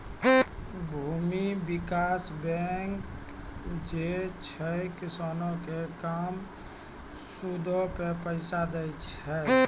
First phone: bʱ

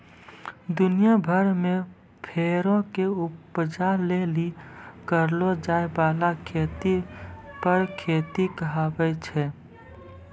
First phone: d̪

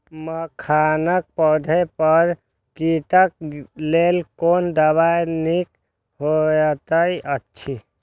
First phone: m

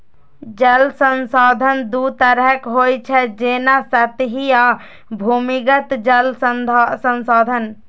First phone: d͡ʒ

